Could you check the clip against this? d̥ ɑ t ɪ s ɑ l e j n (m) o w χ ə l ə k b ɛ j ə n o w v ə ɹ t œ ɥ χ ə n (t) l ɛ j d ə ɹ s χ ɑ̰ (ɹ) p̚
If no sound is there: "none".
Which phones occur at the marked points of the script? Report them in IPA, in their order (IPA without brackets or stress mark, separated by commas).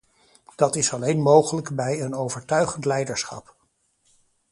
m, t, none